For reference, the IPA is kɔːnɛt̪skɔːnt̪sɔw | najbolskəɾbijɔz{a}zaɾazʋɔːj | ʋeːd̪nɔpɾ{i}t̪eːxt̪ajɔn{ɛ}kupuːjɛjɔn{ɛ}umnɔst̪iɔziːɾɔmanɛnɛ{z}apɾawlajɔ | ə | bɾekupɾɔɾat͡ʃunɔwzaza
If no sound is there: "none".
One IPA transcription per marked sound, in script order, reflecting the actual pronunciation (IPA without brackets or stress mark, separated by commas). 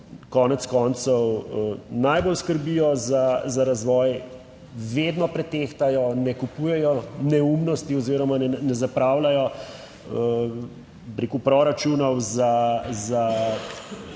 a, ɛ, ɛ, ɛ, z